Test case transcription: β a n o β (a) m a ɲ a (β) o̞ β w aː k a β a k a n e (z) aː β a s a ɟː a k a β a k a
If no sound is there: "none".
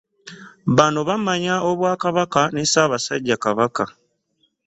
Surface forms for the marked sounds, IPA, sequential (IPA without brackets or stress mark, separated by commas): a, none, s